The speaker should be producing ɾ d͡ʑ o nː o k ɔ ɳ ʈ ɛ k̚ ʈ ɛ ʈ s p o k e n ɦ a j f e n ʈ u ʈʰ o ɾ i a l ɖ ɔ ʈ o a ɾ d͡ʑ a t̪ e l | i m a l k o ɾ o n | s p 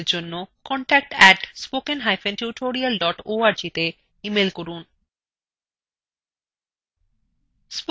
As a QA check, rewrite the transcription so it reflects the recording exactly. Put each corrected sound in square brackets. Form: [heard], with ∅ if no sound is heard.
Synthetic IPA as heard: ɾ d͡ʑ o nː o k ɔ ɳ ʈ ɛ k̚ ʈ ɛ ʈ s p o k e n ɦ a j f e n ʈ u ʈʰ o ɾ i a l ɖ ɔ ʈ o a ɾ d͡ʑ [i] t̪ e [∅] | i m [e] l k o ɾ [u] n | s p